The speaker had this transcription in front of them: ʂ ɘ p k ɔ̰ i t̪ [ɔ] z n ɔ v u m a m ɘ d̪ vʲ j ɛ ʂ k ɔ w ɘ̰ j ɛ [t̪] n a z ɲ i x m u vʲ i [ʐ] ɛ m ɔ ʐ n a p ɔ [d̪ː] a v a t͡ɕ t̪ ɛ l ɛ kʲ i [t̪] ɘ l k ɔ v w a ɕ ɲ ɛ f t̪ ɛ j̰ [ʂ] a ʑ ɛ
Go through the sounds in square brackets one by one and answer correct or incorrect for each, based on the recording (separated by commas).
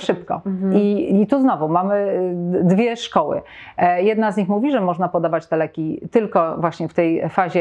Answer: incorrect, incorrect, correct, incorrect, correct, incorrect